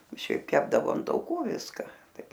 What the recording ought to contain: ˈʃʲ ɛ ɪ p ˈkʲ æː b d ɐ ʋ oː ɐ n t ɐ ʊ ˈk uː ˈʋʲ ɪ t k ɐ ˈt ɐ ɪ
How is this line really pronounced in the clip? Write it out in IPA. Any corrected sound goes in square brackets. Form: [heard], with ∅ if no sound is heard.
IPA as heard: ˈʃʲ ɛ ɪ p ˈkʲ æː b d ɐ ʋ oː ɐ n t ɐ ʊ ˈk uː ˈʋʲ ɪ [s] k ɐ ˈt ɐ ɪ